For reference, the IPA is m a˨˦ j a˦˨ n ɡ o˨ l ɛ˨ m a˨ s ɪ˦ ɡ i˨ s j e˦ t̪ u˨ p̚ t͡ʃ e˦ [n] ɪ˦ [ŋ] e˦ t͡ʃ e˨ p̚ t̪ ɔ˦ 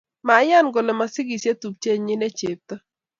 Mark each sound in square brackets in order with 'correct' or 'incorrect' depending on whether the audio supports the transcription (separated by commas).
incorrect, incorrect